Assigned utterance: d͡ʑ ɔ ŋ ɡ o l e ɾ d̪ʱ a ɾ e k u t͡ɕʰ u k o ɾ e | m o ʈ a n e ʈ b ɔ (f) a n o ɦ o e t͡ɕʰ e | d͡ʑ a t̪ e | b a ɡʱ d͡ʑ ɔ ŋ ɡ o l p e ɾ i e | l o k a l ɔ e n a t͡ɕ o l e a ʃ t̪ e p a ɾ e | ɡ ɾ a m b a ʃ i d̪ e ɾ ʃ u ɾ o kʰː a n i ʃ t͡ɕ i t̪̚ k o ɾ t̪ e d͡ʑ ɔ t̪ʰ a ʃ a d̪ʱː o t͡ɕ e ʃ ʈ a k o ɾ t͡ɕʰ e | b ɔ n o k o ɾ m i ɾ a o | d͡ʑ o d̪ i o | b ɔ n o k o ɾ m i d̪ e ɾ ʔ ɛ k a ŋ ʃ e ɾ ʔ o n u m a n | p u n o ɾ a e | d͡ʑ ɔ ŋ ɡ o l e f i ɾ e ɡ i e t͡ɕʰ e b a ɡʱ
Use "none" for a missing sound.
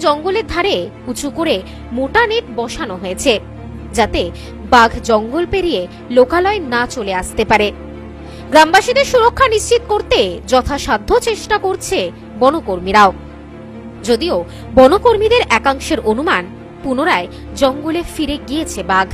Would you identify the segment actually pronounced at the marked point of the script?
ʃ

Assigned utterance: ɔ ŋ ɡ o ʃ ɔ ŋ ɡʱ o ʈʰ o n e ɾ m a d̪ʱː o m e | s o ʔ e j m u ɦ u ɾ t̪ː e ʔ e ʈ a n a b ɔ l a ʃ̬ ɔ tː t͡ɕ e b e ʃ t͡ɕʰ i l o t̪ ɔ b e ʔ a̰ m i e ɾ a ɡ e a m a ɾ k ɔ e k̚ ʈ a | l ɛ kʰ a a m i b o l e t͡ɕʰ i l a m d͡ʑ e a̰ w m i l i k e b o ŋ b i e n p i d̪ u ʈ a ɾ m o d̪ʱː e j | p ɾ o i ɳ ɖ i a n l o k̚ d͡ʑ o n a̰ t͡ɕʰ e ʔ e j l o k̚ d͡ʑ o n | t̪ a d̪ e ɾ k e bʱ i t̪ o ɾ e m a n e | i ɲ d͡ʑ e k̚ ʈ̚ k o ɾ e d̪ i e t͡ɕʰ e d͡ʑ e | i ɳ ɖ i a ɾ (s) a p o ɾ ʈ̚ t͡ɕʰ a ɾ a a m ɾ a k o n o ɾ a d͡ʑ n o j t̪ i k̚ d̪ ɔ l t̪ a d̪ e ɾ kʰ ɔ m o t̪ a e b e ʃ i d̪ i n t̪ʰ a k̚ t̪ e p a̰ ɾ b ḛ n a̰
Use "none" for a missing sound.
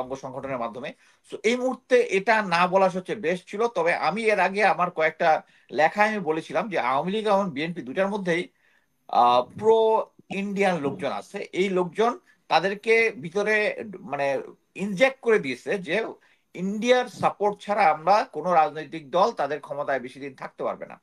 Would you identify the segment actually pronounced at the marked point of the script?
s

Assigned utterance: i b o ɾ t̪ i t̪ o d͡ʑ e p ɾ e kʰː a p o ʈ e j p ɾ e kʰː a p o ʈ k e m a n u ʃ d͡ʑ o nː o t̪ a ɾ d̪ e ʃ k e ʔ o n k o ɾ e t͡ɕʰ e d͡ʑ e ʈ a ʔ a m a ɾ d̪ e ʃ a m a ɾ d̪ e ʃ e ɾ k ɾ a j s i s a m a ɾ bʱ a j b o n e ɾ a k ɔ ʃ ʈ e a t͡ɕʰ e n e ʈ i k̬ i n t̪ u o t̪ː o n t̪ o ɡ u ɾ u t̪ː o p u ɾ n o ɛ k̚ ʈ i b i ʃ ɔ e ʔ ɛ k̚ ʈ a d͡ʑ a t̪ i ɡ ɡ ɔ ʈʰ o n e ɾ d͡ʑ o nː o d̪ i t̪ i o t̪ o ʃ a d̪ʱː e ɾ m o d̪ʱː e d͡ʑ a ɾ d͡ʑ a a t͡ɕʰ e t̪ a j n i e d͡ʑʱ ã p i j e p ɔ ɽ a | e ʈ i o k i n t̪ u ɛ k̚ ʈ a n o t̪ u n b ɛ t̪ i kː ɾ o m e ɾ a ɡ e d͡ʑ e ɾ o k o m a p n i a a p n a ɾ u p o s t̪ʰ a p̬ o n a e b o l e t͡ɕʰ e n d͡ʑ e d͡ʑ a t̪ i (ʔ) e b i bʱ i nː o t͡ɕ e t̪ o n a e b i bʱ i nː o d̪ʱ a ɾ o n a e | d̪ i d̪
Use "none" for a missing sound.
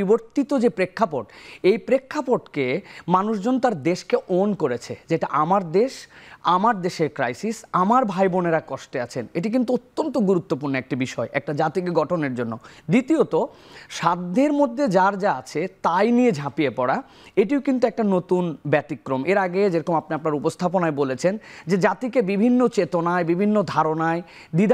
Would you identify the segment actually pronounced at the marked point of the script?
k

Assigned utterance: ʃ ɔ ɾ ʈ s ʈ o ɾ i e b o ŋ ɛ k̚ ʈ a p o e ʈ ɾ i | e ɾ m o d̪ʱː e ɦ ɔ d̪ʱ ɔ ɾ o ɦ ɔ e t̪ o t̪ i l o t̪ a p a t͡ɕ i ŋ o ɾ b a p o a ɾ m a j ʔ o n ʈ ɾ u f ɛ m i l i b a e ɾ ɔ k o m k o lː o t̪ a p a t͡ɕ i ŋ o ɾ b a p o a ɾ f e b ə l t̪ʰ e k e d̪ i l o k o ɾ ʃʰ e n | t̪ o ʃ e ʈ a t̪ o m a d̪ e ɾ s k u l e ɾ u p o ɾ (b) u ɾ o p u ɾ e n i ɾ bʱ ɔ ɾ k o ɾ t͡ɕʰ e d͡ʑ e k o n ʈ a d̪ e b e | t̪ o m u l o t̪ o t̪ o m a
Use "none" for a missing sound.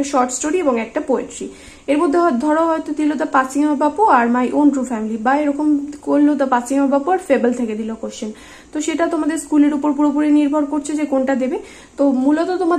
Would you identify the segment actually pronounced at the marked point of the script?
p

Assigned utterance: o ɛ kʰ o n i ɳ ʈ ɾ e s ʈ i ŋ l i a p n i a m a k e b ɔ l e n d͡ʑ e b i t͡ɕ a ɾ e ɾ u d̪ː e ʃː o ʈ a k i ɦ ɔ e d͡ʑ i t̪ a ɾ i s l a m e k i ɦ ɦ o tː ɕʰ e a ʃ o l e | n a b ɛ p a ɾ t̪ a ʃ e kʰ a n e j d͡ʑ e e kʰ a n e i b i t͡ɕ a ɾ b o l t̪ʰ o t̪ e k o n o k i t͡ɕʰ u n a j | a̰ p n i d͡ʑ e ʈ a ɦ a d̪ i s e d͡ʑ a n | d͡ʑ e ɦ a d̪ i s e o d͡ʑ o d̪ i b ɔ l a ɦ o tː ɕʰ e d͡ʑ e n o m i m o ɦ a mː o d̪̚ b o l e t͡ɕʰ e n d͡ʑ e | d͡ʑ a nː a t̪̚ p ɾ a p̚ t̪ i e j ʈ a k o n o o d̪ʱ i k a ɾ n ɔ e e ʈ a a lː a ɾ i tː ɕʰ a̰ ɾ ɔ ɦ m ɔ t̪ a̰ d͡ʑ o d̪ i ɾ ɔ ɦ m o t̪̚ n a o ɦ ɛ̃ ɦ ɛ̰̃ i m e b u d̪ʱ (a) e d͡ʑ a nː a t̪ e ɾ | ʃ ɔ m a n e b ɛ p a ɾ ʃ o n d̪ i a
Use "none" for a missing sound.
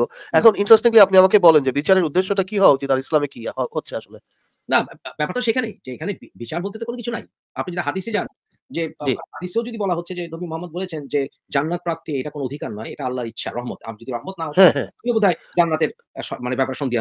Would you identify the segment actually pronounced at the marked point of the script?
a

